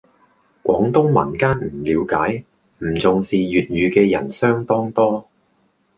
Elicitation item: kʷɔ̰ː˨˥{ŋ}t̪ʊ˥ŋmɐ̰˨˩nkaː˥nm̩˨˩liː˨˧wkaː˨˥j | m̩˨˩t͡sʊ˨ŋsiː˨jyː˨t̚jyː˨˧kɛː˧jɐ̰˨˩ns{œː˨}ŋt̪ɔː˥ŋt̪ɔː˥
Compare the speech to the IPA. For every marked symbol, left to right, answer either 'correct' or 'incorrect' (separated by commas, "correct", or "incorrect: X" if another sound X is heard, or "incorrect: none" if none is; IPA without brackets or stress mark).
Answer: correct, incorrect: œː˥